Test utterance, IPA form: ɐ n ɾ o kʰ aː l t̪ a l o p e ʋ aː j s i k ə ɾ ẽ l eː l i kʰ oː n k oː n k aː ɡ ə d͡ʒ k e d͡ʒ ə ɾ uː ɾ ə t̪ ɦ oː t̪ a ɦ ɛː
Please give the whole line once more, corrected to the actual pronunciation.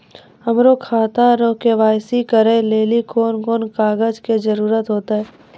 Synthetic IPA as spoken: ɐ m ɾ o kʰ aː t̪ a ɾ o k e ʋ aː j s i k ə ɾ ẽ l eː l i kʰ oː n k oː n k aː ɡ ə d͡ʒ k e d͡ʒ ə ɾ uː ɾ ə t̪ ɦ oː t̪ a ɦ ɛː